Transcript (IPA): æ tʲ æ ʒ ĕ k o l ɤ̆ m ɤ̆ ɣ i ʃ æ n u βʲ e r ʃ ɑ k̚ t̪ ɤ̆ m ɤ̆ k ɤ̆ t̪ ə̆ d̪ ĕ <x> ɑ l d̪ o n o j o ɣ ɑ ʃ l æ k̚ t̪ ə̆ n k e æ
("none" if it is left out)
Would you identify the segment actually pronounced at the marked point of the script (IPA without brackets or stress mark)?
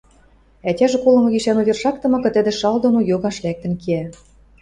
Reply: ʃ